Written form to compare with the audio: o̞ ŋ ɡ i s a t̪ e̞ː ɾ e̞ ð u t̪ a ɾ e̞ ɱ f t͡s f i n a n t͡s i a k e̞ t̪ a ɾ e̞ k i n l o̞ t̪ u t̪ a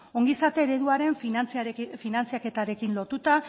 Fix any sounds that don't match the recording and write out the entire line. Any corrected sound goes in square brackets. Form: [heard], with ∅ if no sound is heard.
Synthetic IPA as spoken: o̞ ŋ ɡ i s a t̪ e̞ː ɾ e̞ ð u [∅] a ɾ e̞ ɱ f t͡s f i n a n t͡s i a k e̞ t̪ a ɾ e̞ k i n l o̞ t̪ u t̪ a